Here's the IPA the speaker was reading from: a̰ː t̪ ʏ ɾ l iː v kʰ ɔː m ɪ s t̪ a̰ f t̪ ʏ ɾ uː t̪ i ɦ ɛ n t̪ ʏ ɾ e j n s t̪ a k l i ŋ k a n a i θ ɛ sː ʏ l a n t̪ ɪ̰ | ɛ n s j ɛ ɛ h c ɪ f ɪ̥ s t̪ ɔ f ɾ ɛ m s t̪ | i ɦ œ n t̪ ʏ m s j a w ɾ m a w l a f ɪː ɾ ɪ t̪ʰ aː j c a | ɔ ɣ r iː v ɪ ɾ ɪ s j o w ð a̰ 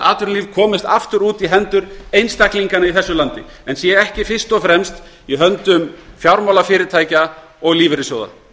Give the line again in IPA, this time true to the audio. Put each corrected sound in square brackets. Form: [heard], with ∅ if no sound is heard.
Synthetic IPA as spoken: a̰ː t̪ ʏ ɾ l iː v kʰ ɔː m ɪ s t̪ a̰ f t̪ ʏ ɾ uː t̪ i ɦ ɛ n t̪ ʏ ɾ e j n s t̪ a k l i ŋ k a n a i θ ɛ sː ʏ l a n t̪ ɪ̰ | ɛ n s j ɛ ɛ h c ɪ f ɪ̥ s t̪ ɔ f ɾ ɛ m s t̪ | i ɦ œ n t̪ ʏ m [f] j a w ɾ m a w l a f ɪː ɾ ɪ t̪ʰ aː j c a | ɔ ɣ [l] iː v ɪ ɾ ɪ s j o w ð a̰